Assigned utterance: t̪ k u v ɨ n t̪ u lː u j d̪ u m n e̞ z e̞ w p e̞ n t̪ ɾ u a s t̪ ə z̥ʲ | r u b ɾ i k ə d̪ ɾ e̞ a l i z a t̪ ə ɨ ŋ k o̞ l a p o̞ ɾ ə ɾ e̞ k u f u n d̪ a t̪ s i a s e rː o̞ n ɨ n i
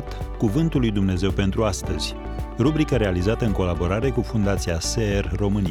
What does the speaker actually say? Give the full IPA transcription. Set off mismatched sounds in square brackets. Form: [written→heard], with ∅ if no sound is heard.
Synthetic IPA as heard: t̪ k u v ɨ n t̪ u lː u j d̪ u m n e̞ z e̞ w p e̞ n t̪ ɾ u a s t̪ ə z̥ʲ | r u b ɾ i k ə [d̪→∅] ɾ e̞ a l i z a t̪ ə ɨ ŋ k o̞ l a [p→b] o̞ ɾ [ə→a] ɾ e̞ k u f u n d̪ a t̪ s i a s e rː o̞ [n→m] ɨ n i